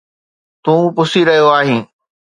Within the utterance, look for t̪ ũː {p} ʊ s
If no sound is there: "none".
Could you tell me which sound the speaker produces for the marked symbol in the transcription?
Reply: p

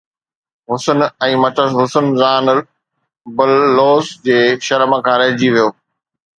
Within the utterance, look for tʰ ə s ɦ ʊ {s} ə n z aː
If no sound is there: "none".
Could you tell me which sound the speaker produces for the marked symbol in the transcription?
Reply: s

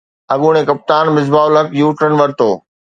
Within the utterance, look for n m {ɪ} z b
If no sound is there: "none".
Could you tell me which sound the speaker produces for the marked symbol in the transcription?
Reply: ɪ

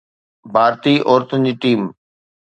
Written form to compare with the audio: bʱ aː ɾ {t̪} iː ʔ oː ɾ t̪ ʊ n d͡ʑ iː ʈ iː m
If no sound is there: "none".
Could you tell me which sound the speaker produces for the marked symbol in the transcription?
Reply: t̪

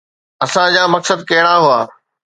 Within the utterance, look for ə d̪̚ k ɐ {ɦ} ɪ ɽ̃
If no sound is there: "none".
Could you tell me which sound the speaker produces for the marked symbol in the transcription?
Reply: ɦ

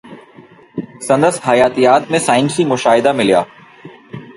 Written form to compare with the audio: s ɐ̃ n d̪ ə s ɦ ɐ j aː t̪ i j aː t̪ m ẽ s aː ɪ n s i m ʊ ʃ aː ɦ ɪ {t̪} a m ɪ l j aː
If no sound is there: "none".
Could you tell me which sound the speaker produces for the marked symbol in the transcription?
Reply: d̪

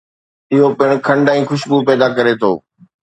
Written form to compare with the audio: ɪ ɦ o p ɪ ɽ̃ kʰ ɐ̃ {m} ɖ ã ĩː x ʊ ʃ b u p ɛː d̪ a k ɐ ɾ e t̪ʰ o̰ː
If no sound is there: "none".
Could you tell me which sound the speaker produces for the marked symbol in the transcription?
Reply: ɳ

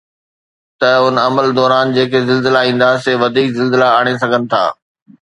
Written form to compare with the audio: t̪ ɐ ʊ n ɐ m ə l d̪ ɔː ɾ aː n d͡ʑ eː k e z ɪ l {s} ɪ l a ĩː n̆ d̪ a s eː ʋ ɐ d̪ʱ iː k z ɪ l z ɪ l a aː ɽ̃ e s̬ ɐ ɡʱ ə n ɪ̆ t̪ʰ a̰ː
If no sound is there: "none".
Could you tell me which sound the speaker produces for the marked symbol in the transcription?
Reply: z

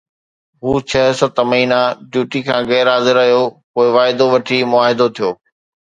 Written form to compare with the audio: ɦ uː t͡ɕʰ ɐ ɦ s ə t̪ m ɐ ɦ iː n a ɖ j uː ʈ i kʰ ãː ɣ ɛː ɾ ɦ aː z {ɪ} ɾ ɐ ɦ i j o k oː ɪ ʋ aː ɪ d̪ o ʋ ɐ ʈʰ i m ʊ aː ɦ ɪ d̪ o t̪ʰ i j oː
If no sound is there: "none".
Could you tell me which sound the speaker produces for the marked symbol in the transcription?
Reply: ɪ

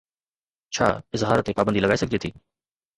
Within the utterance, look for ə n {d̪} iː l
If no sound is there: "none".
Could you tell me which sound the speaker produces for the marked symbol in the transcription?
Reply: d̪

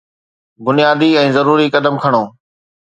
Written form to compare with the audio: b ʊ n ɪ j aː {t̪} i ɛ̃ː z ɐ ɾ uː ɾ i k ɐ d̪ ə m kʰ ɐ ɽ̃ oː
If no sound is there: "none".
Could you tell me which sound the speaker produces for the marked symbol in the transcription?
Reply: d̪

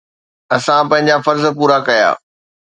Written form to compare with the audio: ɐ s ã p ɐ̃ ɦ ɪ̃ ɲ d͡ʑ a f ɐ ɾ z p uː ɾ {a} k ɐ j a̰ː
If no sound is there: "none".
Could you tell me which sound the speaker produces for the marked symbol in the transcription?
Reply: a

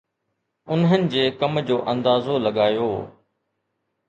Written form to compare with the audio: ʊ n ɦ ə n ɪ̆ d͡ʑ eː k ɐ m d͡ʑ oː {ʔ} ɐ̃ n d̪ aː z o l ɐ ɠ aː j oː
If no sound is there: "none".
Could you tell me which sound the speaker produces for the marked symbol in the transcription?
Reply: ʔ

